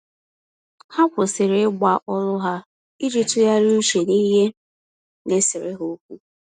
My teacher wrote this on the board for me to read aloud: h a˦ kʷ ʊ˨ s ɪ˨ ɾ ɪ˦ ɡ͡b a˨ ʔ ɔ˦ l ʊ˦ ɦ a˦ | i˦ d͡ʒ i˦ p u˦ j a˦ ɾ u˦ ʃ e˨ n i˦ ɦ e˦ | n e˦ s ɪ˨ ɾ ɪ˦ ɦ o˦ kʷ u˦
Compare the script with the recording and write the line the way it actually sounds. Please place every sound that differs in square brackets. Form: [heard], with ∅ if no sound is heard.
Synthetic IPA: h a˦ kʷ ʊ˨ s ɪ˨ ɾ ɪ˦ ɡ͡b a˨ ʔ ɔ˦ l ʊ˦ ɦ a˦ | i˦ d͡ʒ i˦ [t] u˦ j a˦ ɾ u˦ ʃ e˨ n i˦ ɦ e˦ | n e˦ s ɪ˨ ɾ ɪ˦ ɦ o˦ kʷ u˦